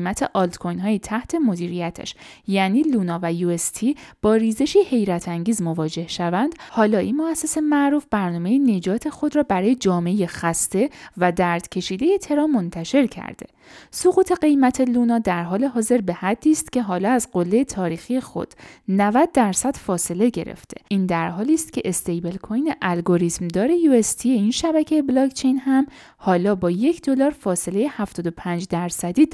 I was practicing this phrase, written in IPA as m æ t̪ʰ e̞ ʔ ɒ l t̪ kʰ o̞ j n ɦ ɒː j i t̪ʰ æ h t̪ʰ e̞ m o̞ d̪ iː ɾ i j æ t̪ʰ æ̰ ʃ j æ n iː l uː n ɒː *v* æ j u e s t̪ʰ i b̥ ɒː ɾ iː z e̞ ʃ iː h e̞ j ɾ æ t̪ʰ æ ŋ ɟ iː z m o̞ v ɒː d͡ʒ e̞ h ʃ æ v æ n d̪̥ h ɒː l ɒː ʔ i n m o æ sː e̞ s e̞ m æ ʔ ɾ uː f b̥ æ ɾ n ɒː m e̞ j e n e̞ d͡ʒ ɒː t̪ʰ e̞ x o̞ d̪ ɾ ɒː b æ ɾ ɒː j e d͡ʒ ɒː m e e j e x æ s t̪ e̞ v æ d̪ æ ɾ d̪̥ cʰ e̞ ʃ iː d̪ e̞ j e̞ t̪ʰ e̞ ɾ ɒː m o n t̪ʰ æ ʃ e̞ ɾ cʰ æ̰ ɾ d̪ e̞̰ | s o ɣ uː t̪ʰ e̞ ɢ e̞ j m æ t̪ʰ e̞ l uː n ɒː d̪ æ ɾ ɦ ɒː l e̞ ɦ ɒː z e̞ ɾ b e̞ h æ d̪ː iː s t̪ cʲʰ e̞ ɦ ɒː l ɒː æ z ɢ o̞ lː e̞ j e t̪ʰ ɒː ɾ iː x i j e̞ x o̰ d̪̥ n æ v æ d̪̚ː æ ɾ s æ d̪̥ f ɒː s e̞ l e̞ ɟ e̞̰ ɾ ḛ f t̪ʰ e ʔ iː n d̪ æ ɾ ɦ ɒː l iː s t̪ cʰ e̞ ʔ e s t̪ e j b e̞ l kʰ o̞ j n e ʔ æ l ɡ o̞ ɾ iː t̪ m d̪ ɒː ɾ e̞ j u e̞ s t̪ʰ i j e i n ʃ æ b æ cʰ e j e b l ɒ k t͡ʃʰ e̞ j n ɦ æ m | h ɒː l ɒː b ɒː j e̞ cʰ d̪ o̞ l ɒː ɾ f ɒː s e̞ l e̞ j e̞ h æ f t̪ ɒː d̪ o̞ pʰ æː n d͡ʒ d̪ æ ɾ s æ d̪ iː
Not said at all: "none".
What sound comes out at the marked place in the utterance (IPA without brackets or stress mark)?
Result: v